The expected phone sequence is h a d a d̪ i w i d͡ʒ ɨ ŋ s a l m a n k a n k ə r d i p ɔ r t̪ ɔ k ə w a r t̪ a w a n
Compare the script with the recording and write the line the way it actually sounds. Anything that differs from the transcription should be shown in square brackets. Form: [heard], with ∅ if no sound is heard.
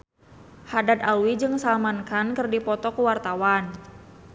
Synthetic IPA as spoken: h a d a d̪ [a] w i d͡ʒ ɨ ŋ s a l m a n k a n k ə r d i p ɔ [∅] t̪ ɔ k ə w a r t̪ a w a n